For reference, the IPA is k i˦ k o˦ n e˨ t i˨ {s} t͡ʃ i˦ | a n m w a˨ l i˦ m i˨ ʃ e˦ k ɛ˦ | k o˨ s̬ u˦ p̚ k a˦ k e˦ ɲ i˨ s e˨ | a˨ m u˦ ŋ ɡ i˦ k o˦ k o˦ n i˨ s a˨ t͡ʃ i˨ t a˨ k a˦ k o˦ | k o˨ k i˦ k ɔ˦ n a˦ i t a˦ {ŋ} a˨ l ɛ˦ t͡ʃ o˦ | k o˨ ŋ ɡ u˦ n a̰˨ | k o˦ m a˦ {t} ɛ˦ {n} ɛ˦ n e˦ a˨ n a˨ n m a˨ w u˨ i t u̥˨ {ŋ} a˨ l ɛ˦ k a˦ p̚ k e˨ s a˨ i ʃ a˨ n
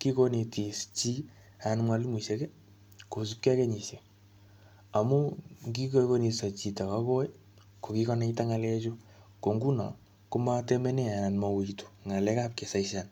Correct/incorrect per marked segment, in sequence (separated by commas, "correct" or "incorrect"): correct, correct, correct, incorrect, correct